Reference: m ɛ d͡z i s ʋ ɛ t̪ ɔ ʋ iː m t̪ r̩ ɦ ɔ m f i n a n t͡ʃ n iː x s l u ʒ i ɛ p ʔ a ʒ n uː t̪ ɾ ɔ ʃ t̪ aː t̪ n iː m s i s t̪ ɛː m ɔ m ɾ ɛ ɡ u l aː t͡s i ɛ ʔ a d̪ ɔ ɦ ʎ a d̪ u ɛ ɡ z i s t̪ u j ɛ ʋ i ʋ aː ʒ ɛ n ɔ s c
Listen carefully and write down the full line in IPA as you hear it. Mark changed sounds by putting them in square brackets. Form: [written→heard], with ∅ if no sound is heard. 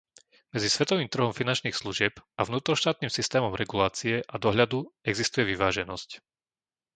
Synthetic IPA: m ɛ d͡z i s ʋ ɛ t̪ ɔ ʋ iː m t̪ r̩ ɦ ɔ m f i n a n t͡ʃ n iː x s l u ʒ [i→ɪ] ɛ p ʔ a [ʒ→v] n uː t̪ ɾ ɔ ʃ t̪ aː t̪ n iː m s i s t̪ ɛː m ɔ m ɾ ɛ ɡ u l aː t͡s i ɛ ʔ a d̪ ɔ ɦ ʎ a d̪ u ɛ ɡ z i s t̪ u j ɛ ʋ i ʋ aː ʒ ɛ n ɔ s c